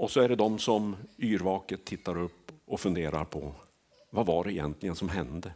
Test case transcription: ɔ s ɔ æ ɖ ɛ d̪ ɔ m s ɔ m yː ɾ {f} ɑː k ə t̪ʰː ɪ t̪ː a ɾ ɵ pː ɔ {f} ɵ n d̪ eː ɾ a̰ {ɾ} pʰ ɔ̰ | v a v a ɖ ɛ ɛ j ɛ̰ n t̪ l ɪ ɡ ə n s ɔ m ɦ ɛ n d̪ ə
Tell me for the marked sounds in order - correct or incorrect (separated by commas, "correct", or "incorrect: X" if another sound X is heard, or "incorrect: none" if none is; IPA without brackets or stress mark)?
incorrect: v, correct, correct